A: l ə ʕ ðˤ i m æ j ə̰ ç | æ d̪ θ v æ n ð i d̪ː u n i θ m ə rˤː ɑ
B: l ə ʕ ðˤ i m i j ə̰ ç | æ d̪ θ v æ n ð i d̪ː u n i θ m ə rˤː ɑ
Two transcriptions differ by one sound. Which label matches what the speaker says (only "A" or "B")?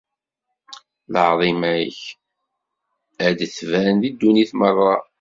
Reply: A